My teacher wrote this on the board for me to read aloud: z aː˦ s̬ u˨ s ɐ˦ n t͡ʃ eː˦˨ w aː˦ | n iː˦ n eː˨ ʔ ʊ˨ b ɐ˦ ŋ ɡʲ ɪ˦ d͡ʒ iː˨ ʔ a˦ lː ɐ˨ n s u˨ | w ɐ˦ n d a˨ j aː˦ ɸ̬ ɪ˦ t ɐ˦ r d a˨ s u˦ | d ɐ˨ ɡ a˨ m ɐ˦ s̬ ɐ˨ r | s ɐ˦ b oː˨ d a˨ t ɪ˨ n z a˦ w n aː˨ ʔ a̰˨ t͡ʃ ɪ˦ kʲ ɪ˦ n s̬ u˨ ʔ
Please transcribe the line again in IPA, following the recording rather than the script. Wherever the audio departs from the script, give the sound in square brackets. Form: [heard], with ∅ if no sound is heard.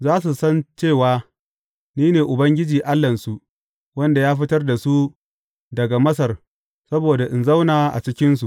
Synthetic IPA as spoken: z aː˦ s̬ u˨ s ɐ˦ n t͡ʃ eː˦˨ w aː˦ | n iː˦ n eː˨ ʔ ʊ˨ b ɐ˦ ŋ ɡʲ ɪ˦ d͡ʒ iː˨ ʔ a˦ lː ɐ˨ n s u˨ | w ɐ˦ n d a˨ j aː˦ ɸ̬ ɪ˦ t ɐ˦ r d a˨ s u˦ | d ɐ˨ ɡ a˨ m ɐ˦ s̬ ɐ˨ r | s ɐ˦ b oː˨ d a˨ [ʔ] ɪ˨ n z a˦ w n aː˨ ʔ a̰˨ t͡ʃ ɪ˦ kʲ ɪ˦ n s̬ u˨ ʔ